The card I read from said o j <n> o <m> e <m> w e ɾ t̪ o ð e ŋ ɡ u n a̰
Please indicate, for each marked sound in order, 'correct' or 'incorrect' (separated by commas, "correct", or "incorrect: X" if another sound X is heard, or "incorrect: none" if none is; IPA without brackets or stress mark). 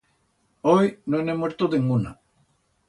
correct, incorrect: n, correct